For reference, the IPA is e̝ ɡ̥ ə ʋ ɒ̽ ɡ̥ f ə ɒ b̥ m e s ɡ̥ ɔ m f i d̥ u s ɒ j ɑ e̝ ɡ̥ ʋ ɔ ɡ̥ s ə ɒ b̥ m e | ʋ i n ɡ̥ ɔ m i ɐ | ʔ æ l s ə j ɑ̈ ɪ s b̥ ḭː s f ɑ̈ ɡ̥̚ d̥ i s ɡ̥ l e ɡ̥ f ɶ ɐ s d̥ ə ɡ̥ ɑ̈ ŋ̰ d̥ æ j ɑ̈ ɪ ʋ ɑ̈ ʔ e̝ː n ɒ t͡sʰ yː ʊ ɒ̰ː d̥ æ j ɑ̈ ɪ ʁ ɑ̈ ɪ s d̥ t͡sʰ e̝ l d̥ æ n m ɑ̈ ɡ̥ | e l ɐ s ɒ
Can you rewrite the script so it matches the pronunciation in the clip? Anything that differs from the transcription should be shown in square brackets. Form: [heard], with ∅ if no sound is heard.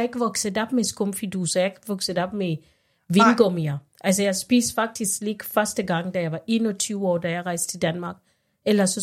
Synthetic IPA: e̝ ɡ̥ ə ʋ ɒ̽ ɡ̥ [s] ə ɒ b̥ m e s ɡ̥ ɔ m f i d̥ u s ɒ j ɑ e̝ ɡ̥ ʋ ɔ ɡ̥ s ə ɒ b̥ m e | ʋ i n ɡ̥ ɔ m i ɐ | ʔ æ l s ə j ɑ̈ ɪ s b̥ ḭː s f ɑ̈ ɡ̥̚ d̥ i s ɡ̥ l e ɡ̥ f ɶ ɐ s d̥ ə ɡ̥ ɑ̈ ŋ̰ d̥ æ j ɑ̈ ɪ ʋ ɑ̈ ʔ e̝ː n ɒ t͡sʰ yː ʊ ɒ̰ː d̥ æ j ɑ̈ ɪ ʁ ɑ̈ ɪ s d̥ t͡sʰ e̝ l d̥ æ n m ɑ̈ ɡ̥ | e l ɐ s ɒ